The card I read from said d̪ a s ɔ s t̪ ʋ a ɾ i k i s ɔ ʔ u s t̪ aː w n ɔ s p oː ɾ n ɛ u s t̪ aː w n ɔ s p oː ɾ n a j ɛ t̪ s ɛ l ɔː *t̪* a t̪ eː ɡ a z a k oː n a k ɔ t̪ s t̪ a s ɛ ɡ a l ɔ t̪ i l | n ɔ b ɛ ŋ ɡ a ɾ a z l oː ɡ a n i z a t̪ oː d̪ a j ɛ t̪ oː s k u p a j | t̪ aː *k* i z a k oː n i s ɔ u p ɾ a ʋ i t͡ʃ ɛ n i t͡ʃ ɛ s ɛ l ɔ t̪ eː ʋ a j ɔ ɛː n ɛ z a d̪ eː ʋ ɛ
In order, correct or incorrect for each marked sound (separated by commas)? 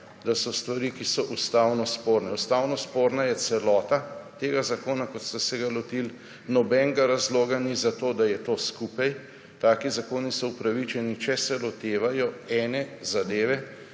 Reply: correct, correct